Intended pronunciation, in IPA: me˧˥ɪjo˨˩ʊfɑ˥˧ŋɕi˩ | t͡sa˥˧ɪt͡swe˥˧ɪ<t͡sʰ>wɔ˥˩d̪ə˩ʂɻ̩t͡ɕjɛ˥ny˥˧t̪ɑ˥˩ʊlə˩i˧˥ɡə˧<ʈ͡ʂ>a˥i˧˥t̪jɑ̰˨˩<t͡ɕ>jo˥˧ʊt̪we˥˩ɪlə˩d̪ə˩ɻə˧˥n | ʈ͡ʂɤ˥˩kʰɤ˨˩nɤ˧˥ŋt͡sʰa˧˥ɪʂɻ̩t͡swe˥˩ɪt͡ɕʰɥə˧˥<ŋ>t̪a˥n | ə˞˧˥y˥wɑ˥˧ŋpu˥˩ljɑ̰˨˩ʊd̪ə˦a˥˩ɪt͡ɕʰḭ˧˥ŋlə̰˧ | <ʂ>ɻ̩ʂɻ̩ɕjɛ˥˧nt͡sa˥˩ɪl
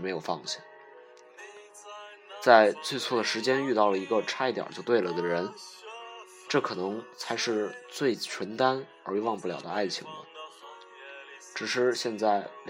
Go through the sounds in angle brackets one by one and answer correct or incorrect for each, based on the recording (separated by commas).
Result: correct, incorrect, correct, incorrect, incorrect